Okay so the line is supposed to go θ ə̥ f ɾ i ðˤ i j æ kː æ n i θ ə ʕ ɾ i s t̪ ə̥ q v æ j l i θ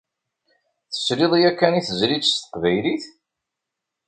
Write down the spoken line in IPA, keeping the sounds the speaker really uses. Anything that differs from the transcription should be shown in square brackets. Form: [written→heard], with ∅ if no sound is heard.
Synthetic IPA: θ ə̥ [f→s] ɾ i ðˤ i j æ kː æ n i θ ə [ʕ→z] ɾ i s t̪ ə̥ q v æ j l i θ